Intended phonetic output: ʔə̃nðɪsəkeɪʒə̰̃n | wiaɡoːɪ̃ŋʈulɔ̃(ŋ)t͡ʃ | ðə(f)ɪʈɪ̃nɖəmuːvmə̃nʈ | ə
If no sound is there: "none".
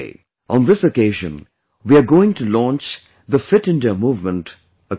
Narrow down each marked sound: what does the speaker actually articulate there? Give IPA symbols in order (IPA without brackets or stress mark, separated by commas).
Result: n, f